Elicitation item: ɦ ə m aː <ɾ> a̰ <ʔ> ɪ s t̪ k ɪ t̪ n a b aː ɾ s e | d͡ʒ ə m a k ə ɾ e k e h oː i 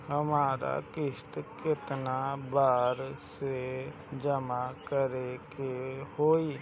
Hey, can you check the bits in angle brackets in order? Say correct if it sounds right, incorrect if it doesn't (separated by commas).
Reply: correct, incorrect